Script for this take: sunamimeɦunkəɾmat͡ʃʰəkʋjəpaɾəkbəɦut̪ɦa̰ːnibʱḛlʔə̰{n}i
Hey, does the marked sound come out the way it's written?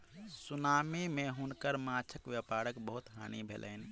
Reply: yes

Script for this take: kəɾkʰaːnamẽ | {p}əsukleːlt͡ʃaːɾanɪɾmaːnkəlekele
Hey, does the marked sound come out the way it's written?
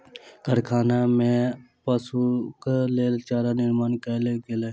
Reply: yes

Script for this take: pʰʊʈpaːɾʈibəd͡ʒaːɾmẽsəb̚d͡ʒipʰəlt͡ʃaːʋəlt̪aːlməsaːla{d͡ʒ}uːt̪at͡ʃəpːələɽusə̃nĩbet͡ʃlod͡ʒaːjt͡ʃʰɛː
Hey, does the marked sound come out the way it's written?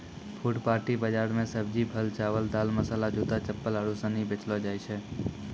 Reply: yes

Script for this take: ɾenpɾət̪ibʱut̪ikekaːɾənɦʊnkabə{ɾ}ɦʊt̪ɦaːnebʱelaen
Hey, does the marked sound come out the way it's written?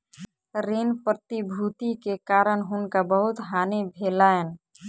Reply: no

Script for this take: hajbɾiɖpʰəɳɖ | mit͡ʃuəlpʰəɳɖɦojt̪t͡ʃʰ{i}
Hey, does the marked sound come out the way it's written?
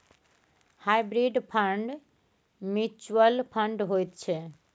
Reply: no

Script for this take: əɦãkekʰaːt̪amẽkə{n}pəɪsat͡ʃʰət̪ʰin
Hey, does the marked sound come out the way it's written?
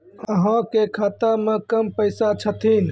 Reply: no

